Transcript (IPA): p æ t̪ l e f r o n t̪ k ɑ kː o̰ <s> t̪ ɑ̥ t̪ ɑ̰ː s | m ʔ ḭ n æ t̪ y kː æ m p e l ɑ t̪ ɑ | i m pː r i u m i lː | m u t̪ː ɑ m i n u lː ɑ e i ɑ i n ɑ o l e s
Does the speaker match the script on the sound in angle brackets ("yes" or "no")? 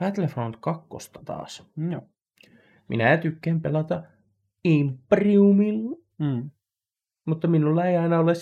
yes